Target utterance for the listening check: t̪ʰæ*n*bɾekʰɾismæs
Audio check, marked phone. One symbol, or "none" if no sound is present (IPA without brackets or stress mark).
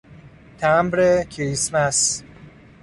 m